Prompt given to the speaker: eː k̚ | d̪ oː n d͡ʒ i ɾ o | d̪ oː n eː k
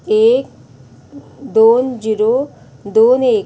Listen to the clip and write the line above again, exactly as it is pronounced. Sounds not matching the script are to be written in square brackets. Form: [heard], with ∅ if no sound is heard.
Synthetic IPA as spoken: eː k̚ | d̪ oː n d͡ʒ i ɾ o | d̪ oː n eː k